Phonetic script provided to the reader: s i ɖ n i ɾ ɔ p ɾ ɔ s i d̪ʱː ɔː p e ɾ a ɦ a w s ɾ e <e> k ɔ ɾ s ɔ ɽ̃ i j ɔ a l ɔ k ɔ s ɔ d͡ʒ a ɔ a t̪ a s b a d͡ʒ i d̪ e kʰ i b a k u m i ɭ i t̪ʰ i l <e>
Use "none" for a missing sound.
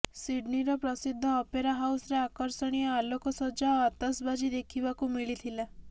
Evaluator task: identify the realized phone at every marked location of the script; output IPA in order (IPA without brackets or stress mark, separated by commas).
a, a